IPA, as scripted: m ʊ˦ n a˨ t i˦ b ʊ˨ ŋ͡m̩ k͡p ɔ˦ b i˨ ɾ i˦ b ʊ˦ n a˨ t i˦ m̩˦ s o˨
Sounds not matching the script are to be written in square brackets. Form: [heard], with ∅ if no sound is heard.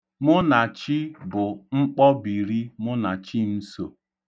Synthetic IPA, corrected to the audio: m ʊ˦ n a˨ [t͡ʃ] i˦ b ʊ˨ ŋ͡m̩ k͡p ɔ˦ b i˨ ɾ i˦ [m] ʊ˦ n a˨ [t͡ʃ] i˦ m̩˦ s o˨